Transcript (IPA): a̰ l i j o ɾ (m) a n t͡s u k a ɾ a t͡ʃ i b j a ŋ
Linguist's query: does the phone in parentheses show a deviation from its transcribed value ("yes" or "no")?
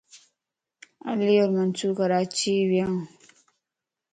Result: no